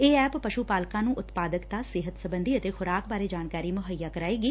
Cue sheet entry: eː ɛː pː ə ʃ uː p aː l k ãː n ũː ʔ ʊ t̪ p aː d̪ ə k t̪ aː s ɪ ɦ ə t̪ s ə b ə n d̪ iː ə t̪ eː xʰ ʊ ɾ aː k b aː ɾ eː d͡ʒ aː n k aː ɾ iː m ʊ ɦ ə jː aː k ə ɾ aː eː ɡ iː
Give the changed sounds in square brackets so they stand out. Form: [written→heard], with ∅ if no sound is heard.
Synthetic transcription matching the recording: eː ɛː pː ə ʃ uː p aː l k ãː n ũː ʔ ʊ t̪ p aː d̪ ə k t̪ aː s ɪ ɦ ə t̪ s ə b ə n d̪ iː ə t̪ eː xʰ ʊ ɾ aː k b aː ɾ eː d͡ʒ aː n k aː ɾ iː m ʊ ɦ ə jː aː k ə ɾ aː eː ɡ iː

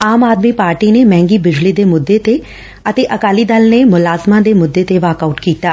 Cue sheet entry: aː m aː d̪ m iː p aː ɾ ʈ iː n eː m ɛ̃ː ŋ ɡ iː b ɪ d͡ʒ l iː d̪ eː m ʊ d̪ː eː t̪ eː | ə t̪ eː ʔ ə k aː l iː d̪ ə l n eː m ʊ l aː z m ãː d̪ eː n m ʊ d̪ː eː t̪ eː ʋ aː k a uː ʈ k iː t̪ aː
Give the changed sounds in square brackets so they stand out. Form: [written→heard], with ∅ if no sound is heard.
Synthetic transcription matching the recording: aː m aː d̪ m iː p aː ɾ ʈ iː n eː m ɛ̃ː ŋ ɡ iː b ɪ d͡ʒ l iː d̪ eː m ʊ d̪ː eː t̪ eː | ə t̪ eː ʔ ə k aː l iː d̪ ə l n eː m ʊ l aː z m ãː d̪ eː [n→∅] m ʊ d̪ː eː t̪ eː ʋ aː k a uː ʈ k iː t̪ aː

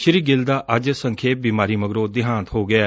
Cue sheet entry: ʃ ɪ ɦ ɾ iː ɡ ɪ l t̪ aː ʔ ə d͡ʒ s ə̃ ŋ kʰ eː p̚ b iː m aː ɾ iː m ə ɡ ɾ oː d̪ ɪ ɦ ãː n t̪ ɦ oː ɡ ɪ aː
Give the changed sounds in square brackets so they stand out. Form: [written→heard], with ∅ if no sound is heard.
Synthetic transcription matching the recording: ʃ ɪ [ɦ→∅] ɾ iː ɡ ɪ l [t̪→d̪] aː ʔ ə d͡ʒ s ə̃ ŋ kʰ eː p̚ b iː m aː ɾ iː m ə ɡ ɾ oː d̪ ɪ ɦ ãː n t̪ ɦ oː ɡ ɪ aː

